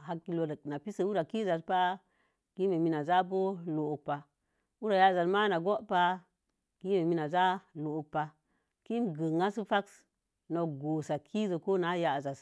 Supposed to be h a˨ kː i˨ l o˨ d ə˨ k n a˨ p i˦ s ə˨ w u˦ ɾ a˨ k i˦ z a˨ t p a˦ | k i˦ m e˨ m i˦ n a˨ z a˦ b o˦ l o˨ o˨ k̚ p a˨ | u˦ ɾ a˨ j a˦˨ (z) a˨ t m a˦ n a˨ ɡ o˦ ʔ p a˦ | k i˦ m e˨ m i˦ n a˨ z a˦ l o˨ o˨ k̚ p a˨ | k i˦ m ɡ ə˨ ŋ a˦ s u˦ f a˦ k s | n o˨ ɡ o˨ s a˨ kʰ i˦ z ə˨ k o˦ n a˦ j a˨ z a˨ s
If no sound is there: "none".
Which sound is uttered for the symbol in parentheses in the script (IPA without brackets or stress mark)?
z